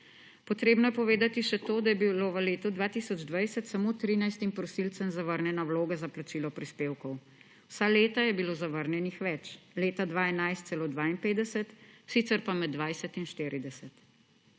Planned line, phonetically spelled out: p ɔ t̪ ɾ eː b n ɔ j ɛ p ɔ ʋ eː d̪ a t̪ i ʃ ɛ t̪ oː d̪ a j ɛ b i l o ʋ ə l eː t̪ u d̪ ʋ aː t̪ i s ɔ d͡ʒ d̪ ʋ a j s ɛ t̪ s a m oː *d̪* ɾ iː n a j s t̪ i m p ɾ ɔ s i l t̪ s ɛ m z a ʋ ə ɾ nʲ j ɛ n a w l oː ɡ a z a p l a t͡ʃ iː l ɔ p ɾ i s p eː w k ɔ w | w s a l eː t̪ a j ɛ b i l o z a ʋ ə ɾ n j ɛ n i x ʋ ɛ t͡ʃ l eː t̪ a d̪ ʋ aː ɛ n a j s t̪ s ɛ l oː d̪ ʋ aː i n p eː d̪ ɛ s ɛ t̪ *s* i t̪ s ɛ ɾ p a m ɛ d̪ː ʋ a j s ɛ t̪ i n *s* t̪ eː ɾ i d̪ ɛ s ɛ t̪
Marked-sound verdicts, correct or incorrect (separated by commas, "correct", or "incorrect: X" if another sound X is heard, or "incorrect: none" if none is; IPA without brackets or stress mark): incorrect: t̪, correct, incorrect: ʃ